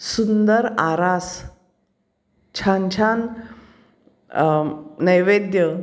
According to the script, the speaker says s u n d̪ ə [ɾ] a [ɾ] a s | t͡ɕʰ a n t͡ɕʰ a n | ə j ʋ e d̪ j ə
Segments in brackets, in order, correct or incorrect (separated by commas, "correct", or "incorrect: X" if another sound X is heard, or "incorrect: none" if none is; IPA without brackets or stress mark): correct, correct